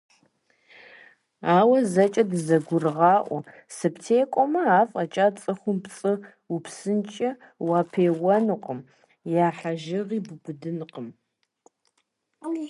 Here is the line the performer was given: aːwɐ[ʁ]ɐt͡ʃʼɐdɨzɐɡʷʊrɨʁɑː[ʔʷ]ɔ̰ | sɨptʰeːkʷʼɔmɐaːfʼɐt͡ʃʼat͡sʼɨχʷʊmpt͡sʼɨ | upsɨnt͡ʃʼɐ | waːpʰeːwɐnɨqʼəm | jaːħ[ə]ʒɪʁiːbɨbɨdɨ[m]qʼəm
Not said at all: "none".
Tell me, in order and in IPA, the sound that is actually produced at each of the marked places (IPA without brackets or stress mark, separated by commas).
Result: z, ʔʷ, a, n